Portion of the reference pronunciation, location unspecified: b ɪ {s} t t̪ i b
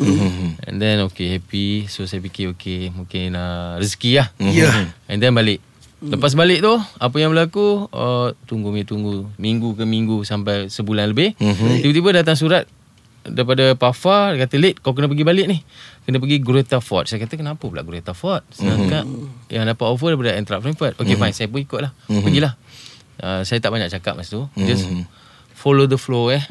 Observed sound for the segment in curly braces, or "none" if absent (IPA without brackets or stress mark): h